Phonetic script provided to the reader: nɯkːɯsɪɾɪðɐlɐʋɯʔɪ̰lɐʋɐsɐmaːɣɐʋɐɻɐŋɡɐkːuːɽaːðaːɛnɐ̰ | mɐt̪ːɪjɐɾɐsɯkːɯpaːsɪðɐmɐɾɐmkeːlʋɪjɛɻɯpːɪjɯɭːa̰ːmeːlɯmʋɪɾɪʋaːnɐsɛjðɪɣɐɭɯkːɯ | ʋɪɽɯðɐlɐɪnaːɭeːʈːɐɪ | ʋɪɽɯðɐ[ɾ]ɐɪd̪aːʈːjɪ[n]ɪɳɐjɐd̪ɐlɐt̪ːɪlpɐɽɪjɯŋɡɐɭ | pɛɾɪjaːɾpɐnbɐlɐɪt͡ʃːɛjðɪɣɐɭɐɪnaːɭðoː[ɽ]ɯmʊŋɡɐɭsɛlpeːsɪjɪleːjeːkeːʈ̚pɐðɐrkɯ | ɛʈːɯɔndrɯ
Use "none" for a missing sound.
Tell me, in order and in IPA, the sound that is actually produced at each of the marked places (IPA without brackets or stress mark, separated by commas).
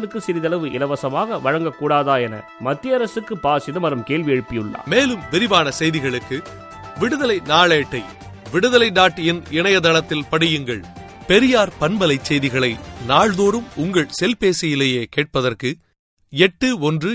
l, n, ɾ